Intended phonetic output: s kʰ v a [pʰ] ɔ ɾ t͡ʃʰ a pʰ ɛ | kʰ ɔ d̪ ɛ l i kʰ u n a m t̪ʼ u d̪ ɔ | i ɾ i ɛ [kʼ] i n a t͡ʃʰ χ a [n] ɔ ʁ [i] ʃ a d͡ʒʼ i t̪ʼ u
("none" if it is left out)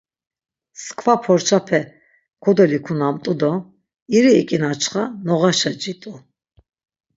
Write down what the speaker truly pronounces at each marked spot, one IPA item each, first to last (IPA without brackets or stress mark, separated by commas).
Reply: pʰ, kʼ, n, a